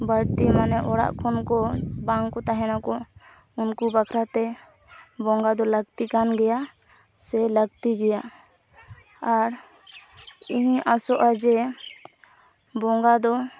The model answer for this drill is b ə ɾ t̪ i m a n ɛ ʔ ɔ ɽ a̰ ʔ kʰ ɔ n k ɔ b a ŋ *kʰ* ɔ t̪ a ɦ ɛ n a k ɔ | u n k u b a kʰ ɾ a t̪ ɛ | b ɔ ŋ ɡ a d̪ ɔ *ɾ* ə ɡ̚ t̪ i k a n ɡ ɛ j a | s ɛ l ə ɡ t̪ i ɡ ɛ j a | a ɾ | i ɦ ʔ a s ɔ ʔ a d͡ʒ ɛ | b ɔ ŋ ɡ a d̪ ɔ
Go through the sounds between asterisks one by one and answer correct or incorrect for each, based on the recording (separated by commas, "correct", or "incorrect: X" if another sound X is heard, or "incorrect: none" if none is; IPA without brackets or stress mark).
incorrect: k, incorrect: l